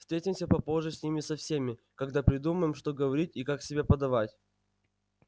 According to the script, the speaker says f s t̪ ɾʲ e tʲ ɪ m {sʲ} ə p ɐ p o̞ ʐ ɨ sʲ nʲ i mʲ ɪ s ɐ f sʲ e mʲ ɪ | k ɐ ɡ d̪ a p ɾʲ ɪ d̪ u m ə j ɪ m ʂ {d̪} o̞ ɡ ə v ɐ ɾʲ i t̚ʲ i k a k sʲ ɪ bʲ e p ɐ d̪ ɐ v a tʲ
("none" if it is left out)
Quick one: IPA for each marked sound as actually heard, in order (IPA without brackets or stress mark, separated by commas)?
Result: sʲ, t̪